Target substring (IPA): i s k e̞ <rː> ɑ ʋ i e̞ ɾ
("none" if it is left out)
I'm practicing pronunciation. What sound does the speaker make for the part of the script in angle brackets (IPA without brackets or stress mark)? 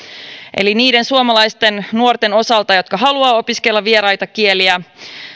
lː